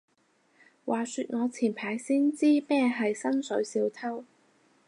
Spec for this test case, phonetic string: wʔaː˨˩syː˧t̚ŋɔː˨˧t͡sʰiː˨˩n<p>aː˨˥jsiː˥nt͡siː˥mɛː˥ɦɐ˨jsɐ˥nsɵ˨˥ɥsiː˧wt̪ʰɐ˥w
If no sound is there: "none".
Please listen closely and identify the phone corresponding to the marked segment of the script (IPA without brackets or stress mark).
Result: pʰ